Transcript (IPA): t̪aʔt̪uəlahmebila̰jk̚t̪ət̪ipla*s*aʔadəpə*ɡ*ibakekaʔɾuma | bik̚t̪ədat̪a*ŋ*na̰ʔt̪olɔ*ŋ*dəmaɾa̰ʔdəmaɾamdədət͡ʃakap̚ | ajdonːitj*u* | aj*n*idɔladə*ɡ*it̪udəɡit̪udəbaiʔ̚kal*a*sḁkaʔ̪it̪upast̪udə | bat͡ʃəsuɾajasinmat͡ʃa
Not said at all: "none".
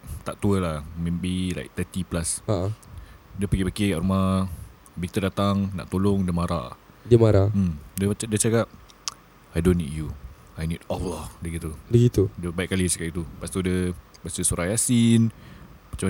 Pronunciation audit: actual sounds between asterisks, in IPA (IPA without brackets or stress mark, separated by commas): s, ɡ, ŋ, ŋ, u, n, ɡ, i